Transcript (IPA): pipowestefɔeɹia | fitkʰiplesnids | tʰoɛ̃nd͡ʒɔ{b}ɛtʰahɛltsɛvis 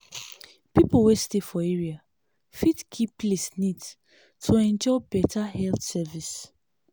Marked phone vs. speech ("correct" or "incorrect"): correct